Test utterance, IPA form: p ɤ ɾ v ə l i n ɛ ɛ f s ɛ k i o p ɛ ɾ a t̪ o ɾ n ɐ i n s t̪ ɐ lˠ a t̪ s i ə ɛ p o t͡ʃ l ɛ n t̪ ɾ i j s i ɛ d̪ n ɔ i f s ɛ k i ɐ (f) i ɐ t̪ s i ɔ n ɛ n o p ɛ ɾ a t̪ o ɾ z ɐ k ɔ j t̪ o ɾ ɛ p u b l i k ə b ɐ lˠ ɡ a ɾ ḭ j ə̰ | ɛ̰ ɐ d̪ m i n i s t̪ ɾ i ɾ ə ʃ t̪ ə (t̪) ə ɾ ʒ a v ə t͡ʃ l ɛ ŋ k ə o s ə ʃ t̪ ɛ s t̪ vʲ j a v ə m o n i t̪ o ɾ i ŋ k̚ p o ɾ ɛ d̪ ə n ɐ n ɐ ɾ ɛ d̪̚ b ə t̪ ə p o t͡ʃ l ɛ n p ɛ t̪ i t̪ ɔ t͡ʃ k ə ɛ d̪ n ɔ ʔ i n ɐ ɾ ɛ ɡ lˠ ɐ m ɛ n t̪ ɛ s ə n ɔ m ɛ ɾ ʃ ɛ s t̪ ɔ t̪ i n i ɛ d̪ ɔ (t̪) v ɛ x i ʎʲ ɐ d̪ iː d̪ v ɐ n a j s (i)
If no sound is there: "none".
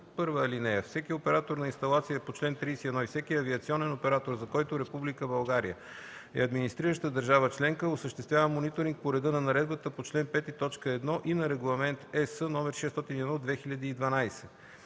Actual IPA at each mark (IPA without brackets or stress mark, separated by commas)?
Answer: v, d̪, d̪, ɛ